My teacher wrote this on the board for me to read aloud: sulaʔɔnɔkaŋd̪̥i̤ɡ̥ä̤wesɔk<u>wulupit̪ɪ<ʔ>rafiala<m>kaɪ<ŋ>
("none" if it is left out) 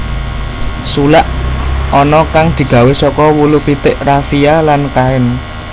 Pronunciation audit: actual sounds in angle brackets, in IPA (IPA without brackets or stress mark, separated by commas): ɔ, ʔ, n, n